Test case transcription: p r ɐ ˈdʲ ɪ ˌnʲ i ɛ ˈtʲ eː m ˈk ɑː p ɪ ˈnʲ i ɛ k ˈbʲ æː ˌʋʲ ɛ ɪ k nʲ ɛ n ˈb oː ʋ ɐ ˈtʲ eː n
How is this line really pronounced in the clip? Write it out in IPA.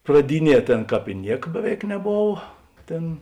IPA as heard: p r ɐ ˈdʲ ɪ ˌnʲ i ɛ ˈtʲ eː n ˈk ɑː p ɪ ˈnʲ i ɛ k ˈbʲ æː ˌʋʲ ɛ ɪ k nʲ ɛ ˈb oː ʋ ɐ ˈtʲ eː n

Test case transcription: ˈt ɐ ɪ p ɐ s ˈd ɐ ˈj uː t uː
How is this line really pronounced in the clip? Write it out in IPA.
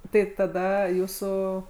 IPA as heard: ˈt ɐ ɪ t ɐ ˈd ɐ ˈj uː s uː

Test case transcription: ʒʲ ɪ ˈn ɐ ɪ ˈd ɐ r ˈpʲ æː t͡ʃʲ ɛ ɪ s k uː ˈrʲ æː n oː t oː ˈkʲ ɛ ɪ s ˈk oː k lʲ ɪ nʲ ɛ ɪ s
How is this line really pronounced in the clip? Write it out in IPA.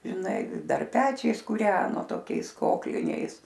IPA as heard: ʒʲ ɪ ˈn ɐ ɪ ˈd ɐ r ˈpʲ æː t͡ʃʲ ɛ ɪ s k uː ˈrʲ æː n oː t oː ˈkʲ ɛ ɪ s ˈk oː k lʲ ɪ nʲ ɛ ɪ s

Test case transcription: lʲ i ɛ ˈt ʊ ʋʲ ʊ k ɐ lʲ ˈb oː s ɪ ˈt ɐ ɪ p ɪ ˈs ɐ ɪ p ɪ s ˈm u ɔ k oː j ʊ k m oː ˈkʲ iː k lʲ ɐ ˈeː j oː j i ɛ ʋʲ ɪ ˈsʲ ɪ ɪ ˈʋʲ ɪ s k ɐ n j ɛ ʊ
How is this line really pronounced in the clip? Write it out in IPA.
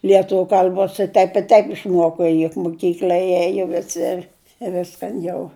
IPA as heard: lʲ i ɛ ˈt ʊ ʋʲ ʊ k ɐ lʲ ˈb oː s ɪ ˈt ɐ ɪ p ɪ ˈt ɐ ɪ p ɪ ʃ ˈm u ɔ k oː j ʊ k m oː ˈkʲ iː k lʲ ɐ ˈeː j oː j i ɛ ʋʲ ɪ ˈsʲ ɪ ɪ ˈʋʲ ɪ s k ɐ n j ɛ ʊ

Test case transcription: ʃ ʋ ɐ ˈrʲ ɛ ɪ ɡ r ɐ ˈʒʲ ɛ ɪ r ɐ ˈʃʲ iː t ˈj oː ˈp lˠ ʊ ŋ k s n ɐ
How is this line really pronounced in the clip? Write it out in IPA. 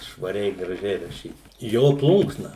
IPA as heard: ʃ ʋ ɐ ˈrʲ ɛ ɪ ɡ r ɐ ˈʒʲ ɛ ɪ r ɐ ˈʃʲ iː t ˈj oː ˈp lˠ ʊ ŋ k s n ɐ

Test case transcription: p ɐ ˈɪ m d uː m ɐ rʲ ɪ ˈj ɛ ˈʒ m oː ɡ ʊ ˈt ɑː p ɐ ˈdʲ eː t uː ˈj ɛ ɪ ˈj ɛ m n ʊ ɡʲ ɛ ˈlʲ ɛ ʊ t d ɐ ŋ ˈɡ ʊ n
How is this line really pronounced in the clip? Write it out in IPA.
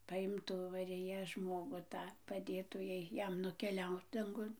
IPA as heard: p ɐ ˈɪ m t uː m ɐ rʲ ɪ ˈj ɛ ˈʒ m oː ɡ ʊ ˈt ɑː p ɐ ˈdʲ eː t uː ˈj ɛ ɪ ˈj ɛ m n ʊ kʲ ɛ ˈlʲ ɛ ʊ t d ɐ ŋ ˈɡ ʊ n

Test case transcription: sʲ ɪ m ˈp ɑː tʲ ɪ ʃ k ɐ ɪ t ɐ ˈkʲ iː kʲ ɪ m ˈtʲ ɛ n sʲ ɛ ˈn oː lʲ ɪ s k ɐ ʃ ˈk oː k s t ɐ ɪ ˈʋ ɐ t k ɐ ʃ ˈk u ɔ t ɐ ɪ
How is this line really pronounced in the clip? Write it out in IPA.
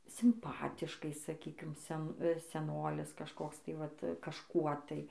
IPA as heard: sʲ ɪ m ˈp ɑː tʲ ɪ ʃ k ɐ ɪ s ɐ ˈkʲ iː kʲ ɪ m ˈsʲ ɛ n sʲ ɛ ˈn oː lʲ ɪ s k ɐ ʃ ˈk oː k s t ɐ ɪ ˈʋ ɐ t k ɐ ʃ ˈk u ɔ t ɐ ɪ

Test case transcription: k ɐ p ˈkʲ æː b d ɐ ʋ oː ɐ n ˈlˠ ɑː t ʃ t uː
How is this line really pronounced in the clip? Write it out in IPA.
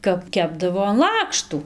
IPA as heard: k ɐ p ˈkʲ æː b d ɐ ʋ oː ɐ n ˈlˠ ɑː k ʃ t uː

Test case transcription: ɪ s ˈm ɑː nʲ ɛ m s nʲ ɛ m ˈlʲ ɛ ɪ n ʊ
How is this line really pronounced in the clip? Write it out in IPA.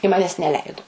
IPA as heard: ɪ ˈm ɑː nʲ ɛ s nʲ ɛ ˈlʲ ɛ ɪ d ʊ

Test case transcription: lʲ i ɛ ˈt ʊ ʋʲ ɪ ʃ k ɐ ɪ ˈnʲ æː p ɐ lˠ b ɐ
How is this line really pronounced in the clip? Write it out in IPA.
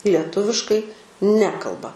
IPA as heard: lʲ i ɛ ˈt ʊ ʋʲ ɪ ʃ k ɐ ɪ ˈnʲ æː k ɐ lˠ b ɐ

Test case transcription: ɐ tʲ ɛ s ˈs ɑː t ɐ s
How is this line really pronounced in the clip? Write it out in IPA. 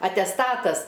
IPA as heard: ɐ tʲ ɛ s ˈt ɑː t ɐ s

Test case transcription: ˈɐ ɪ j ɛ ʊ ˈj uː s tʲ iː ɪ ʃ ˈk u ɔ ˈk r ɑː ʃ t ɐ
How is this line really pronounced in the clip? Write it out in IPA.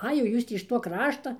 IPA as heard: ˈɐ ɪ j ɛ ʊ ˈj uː s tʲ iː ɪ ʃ ˈt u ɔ ˈk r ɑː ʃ t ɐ

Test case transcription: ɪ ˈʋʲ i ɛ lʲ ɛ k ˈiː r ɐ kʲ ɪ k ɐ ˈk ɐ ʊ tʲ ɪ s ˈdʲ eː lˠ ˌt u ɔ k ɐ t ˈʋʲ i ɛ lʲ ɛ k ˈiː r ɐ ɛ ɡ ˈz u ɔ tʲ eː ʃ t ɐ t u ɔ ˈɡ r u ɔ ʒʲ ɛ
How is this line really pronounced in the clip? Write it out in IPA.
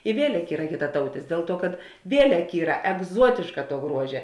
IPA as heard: ɪ ˈʋʲ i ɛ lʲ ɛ k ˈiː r ɐ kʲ ɪ t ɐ ˈt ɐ ʊ tʲ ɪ s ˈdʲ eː lˠ ˌt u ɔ k ɐ t ˈʋʲ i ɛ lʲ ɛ k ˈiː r ɐ ɛ ɡ ˈz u ɔ tʲ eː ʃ k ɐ t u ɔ ˈɡ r u ɔ ʒʲ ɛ

